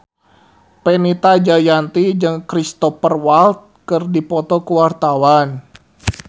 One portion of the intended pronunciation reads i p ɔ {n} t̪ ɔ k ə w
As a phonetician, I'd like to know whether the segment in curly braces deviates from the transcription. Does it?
yes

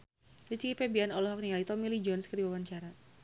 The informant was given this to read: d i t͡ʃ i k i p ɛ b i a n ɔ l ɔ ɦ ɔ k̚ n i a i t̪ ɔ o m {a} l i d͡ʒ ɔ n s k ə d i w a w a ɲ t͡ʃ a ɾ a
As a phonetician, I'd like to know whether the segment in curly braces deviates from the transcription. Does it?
yes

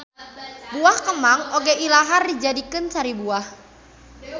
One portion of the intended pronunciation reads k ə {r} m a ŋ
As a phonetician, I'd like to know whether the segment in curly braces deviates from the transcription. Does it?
yes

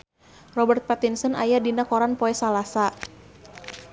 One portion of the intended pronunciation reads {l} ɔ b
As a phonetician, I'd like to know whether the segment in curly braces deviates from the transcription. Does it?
yes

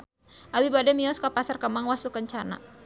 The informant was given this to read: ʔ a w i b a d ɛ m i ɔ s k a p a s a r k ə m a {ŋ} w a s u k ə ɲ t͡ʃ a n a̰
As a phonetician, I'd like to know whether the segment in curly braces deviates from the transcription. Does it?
no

